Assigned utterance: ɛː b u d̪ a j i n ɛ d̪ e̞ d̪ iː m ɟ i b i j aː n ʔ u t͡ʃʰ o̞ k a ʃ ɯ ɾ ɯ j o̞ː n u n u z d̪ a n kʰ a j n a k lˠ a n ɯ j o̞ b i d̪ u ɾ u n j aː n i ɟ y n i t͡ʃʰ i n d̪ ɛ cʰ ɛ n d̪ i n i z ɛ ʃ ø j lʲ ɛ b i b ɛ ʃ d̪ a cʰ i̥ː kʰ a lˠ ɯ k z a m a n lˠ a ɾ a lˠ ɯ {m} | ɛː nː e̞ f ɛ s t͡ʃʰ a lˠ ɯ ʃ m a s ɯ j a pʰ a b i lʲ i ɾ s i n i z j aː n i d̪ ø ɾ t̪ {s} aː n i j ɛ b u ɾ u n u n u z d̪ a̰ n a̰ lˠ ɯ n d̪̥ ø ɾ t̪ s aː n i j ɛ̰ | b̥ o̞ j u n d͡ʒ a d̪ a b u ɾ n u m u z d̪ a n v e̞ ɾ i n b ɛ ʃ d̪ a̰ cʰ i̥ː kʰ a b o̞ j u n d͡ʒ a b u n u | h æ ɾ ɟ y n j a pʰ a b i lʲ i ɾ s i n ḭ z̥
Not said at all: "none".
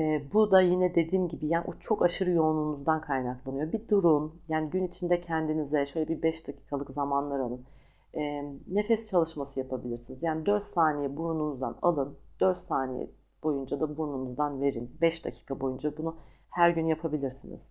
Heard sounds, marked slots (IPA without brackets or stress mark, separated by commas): n, s